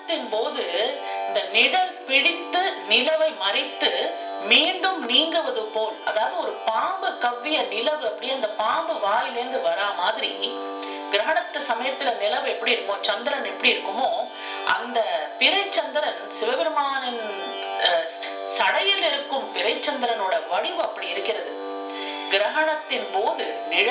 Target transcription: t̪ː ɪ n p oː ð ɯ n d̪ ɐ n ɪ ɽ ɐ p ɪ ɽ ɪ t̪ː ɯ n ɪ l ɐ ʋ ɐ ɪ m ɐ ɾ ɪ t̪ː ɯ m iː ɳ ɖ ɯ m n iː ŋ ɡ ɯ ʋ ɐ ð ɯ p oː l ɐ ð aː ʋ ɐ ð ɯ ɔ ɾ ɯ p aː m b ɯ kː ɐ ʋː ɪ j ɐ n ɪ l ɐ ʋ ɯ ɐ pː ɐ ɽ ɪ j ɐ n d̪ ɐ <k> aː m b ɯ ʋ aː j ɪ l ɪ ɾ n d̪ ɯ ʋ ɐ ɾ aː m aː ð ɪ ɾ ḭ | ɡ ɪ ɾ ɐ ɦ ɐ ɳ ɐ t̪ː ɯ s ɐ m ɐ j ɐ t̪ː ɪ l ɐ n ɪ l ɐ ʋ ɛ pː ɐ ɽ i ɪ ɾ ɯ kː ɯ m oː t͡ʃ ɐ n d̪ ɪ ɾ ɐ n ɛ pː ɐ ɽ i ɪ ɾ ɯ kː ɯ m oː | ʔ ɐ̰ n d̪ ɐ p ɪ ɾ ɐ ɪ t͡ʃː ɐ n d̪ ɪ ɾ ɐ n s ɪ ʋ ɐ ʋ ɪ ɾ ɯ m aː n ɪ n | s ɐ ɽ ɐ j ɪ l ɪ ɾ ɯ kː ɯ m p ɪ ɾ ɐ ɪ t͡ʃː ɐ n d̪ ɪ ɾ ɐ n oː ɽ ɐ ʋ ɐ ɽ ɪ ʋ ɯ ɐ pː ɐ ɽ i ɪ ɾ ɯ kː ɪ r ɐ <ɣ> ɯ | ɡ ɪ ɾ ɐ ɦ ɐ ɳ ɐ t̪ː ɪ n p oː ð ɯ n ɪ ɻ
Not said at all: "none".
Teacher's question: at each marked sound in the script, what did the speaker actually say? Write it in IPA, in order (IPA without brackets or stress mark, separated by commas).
p, ð